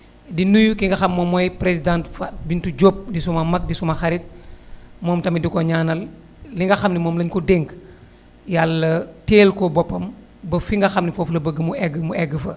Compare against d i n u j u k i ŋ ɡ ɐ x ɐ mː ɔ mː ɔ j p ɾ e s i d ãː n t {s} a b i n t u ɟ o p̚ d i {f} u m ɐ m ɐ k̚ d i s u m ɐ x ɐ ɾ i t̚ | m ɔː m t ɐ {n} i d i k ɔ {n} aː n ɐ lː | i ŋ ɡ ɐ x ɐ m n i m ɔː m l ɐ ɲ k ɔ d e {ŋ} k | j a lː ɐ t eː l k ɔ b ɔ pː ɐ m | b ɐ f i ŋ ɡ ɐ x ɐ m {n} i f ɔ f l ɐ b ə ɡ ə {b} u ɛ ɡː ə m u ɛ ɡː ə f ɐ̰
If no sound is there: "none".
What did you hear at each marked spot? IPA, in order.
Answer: f, s, m, ɲ, ŋ, n, m

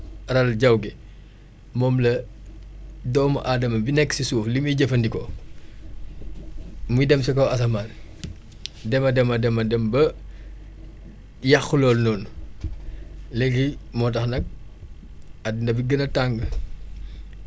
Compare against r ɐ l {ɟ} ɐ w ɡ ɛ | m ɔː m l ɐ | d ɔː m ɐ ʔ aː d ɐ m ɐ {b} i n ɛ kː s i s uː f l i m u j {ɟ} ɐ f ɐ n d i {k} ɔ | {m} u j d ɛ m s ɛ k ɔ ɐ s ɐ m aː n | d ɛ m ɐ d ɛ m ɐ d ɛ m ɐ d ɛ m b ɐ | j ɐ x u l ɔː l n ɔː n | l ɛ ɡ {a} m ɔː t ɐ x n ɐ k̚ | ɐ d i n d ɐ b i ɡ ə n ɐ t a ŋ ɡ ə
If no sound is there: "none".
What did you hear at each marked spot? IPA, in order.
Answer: ɟ, b, ɟ, k, m, i

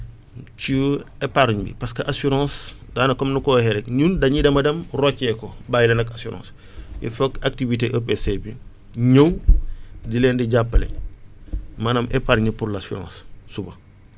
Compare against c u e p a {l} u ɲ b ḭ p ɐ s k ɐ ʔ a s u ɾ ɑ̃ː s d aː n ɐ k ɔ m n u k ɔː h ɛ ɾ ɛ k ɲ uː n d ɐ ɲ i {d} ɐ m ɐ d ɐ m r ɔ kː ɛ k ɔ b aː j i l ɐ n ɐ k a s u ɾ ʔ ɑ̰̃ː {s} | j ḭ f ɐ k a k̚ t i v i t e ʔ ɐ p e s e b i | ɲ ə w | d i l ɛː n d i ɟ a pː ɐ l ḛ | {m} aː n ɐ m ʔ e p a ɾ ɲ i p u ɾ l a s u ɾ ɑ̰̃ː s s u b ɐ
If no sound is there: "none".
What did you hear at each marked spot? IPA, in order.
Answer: ɾ, d, s, m

